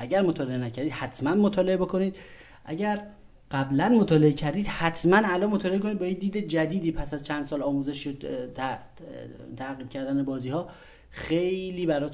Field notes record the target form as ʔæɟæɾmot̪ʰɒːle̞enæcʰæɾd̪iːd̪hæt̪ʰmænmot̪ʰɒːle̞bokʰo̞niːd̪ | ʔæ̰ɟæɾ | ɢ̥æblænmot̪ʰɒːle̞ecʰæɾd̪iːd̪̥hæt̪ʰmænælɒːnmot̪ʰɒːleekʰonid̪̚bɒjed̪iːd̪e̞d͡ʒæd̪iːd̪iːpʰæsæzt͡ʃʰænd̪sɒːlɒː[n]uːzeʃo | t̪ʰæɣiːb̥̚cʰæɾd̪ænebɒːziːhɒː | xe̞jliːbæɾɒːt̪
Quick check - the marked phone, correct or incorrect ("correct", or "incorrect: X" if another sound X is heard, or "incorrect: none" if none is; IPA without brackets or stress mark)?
incorrect: m